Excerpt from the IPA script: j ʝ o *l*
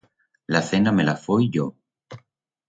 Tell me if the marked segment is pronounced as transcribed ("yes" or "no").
no